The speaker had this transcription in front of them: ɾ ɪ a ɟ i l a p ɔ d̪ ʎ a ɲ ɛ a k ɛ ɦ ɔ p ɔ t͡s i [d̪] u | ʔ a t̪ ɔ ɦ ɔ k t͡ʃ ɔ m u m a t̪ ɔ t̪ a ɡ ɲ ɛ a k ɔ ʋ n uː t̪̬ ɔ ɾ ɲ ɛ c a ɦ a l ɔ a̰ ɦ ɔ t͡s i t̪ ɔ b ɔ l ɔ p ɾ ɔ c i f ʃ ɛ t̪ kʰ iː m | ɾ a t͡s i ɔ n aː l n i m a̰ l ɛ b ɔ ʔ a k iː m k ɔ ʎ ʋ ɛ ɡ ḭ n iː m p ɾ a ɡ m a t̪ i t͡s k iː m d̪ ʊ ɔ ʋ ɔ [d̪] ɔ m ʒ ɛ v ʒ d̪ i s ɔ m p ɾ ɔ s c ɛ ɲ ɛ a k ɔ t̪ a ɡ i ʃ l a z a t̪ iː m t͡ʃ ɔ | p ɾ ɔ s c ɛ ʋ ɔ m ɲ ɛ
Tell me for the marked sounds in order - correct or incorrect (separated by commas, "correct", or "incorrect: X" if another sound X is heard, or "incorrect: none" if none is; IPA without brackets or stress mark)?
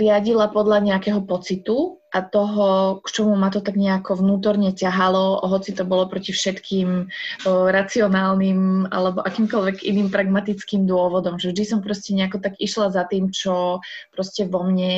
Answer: incorrect: t̪, correct